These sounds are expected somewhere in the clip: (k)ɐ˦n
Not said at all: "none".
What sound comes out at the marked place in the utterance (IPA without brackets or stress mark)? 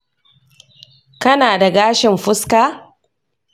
k